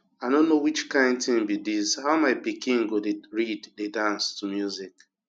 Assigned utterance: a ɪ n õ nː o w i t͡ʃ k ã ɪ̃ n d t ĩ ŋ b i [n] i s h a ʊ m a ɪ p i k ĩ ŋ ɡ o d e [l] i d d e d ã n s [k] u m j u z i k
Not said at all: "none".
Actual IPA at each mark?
d, ɹ, t

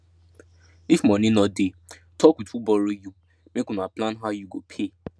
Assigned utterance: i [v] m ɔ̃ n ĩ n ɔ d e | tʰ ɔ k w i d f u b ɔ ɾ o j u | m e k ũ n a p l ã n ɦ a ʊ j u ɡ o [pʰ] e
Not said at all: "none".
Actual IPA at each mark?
f, pʰ

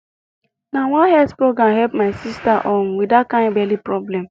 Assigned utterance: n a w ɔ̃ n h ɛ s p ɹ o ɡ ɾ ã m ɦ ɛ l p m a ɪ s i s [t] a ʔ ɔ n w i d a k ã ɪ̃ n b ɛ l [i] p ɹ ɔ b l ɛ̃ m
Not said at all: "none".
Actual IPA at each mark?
t, i

